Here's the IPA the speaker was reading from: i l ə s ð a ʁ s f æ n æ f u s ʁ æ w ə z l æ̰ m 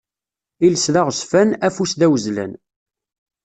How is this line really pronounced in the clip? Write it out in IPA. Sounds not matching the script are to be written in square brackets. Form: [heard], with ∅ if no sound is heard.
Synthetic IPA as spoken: i l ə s ð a ʁ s f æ n æ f u s [ð] æ w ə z l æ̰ [n]

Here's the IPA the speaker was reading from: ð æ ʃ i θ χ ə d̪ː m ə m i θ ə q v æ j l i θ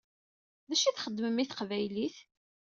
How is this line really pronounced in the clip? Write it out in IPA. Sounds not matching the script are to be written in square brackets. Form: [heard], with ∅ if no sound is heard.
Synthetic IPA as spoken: ð æ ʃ i θ χ ə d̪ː m ə m i θ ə q v æ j l i θ

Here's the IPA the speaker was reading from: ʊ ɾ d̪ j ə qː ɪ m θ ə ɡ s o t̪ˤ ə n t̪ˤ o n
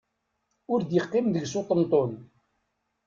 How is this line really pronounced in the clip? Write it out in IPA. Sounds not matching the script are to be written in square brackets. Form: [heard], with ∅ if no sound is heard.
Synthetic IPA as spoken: ʊ ɾ d̪ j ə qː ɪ m [ð] ə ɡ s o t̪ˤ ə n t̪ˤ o n

